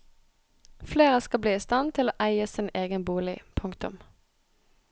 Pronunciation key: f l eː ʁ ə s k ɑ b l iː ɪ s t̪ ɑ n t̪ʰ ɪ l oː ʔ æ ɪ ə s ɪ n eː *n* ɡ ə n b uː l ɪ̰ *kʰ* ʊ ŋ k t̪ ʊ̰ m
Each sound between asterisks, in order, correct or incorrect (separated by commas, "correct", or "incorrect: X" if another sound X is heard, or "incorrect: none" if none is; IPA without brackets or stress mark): incorrect: none, incorrect: pʰ